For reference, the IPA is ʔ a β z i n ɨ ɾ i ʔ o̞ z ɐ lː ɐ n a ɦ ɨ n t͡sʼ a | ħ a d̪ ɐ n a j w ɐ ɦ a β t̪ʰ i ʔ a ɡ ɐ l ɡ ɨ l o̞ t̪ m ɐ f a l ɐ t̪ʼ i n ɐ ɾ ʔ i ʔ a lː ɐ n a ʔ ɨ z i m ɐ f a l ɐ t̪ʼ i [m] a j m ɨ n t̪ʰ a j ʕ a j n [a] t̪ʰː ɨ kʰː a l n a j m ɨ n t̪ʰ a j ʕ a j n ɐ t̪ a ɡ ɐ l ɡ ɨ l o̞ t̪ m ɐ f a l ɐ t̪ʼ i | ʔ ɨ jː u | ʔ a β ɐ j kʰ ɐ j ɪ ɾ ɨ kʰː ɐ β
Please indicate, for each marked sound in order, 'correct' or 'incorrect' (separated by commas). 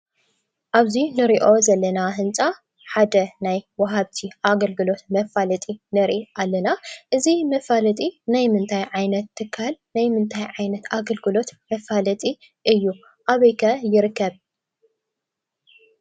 incorrect, incorrect